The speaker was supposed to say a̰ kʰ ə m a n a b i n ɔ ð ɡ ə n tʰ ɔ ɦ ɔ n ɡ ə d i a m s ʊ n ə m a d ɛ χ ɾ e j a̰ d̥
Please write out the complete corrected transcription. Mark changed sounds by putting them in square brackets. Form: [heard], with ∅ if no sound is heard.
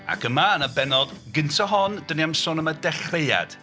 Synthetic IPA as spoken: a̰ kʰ ə m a n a b [ɛ] n ɔ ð ɡ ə n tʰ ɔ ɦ ɔ n [d] ə [n] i a m s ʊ n ə m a d ɛ χ [r] e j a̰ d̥